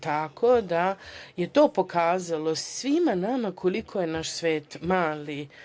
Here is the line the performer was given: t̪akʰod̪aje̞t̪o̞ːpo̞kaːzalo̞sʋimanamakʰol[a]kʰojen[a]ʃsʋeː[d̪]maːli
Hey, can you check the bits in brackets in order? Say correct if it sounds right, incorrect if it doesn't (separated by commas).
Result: incorrect, correct, incorrect